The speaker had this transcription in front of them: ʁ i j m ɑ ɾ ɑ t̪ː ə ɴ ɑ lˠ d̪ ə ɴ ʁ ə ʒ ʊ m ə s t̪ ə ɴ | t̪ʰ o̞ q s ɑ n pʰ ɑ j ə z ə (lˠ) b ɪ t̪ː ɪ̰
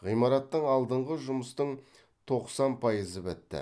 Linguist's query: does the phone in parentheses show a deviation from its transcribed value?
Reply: yes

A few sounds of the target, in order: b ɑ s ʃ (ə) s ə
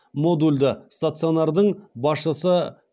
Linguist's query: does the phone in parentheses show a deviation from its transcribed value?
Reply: no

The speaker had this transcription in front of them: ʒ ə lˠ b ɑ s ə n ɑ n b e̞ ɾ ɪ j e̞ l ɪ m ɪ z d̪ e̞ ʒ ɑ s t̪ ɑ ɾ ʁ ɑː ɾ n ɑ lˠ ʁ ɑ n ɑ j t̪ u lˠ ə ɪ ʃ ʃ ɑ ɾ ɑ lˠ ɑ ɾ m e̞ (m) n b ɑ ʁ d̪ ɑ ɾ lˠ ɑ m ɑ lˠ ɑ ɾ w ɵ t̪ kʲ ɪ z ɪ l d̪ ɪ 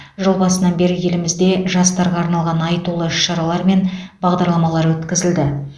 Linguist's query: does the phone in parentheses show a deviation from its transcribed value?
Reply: yes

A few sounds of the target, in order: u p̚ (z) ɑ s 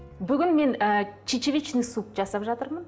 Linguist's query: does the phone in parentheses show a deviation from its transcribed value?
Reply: yes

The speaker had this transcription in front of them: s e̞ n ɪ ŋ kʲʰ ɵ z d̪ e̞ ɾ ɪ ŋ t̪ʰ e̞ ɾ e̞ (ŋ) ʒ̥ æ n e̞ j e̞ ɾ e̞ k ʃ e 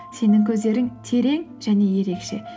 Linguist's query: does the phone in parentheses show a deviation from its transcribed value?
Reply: no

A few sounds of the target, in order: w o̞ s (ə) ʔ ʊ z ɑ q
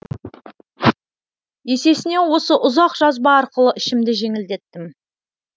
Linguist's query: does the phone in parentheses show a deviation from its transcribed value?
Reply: no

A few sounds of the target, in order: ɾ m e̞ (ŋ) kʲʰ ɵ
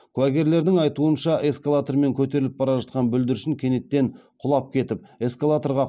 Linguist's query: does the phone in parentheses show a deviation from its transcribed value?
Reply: no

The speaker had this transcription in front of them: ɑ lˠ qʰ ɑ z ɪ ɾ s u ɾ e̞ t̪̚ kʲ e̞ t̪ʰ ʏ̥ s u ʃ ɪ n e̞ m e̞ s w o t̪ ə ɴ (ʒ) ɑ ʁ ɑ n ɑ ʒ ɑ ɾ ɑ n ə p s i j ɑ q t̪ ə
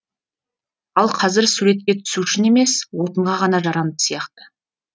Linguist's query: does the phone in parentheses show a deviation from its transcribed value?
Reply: yes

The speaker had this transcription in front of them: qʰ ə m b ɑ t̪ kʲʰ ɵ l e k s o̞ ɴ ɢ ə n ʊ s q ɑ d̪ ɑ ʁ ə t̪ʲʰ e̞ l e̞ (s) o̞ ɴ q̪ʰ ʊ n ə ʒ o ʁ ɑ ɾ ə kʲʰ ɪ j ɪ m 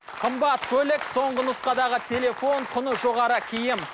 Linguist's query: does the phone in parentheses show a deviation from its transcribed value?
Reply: yes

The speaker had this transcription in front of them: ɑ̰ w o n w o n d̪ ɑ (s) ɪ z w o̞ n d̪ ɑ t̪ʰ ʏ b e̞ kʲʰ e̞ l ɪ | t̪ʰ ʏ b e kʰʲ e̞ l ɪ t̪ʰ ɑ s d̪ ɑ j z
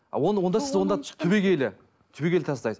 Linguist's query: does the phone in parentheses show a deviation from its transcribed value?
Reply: no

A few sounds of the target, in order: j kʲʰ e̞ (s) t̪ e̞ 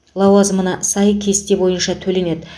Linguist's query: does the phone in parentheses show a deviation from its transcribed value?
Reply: no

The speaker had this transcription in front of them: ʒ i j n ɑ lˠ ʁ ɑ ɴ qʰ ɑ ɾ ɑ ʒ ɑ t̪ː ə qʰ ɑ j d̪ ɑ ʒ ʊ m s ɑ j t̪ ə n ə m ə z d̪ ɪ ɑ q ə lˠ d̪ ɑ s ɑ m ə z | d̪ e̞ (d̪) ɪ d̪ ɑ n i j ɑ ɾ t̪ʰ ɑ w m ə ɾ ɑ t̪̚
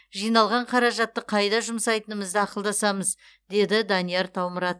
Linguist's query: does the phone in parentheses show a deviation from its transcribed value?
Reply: no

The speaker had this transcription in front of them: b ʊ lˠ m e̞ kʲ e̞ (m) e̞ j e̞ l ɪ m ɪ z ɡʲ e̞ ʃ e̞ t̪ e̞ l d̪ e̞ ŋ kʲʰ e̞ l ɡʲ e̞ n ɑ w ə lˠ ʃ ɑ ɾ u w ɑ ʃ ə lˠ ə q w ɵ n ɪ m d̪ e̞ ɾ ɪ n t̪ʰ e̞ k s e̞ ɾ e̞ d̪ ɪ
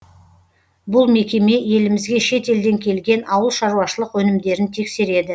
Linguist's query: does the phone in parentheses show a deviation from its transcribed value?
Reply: no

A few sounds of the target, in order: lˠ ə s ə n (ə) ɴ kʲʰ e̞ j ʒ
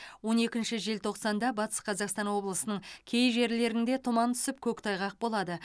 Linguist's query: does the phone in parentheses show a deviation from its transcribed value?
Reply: no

